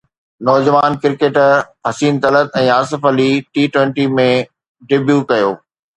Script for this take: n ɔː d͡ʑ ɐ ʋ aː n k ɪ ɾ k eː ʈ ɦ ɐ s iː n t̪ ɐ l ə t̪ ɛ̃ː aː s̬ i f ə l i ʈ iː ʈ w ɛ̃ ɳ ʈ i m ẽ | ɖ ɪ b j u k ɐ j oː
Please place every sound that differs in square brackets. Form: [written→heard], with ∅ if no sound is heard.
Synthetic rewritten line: n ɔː d͡ʑ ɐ ʋ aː n k ɪ ɾ k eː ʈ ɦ ɐ s iː n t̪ ɐ l ə t̪ ɛ̃ː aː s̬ [i→ɪ] f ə l i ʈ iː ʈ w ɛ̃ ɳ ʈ i m ẽ | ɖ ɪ b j u k ɐ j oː